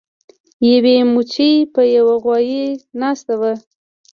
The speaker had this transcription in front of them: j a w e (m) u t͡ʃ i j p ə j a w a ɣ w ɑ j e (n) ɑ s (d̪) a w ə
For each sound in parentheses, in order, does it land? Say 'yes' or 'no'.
yes, yes, no

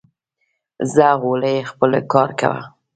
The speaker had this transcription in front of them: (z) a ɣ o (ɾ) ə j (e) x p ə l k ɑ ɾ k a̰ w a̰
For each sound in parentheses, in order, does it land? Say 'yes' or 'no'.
yes, no, yes

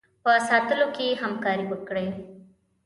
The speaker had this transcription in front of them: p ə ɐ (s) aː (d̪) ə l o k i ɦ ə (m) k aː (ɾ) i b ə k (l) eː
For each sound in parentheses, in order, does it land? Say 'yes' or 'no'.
yes, no, yes, yes, no

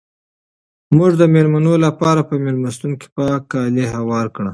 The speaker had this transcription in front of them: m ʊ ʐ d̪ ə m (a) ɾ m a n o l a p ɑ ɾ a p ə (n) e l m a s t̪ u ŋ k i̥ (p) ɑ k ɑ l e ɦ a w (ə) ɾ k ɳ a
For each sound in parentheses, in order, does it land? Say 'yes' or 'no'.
no, no, yes, no

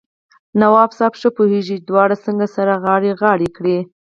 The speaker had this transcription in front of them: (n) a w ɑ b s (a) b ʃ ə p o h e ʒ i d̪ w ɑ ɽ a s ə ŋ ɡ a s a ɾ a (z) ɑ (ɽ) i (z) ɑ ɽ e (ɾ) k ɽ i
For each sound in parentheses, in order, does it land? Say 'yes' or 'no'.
yes, no, no, yes, no, no

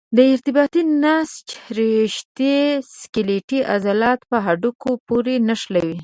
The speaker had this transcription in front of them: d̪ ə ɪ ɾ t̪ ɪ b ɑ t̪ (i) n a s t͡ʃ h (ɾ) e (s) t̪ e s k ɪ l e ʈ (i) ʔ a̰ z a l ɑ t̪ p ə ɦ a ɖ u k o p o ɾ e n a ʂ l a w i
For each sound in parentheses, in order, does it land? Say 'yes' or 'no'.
yes, yes, no, yes

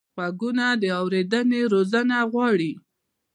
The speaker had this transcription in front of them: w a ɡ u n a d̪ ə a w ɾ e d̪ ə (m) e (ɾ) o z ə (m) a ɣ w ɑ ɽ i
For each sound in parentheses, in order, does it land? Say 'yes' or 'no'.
no, yes, no

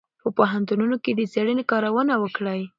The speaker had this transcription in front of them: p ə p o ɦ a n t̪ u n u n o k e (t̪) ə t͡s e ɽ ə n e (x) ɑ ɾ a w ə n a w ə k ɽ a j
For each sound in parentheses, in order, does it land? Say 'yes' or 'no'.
no, no

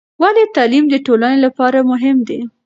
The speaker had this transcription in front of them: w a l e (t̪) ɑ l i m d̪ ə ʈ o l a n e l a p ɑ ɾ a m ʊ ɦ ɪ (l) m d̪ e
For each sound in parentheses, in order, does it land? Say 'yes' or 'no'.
yes, no

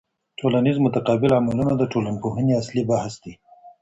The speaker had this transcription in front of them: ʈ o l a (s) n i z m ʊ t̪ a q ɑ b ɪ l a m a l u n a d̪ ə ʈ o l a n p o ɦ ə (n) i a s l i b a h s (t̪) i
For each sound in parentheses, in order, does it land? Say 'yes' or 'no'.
no, yes, no

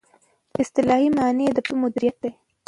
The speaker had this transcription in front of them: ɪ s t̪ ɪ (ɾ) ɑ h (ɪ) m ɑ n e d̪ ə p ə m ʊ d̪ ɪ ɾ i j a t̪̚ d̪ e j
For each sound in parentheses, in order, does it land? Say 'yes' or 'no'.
no, no

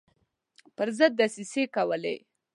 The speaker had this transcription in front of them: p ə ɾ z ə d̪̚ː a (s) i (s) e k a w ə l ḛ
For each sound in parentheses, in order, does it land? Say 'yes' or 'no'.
yes, yes

